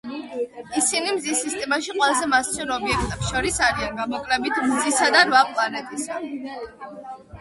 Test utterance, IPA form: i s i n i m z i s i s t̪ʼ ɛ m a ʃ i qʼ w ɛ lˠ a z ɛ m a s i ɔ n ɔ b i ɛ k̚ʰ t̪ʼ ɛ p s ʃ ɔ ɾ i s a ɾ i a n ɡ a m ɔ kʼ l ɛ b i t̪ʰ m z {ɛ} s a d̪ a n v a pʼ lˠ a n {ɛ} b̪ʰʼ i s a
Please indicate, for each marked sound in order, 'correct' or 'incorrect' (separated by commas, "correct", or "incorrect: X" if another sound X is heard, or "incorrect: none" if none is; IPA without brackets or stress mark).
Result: incorrect: i, correct